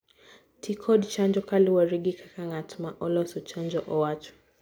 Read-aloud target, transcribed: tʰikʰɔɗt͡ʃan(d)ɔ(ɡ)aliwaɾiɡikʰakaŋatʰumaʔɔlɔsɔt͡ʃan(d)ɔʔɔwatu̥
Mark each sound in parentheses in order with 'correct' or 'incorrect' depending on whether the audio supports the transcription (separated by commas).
incorrect, incorrect, incorrect